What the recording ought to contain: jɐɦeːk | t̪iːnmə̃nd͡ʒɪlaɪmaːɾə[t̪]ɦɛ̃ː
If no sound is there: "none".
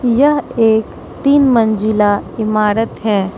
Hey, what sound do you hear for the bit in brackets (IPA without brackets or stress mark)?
t̪